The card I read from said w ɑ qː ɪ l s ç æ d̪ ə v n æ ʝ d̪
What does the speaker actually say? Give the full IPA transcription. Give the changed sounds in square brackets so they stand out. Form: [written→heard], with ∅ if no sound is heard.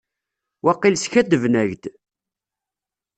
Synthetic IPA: w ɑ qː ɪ l s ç æ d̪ ə v n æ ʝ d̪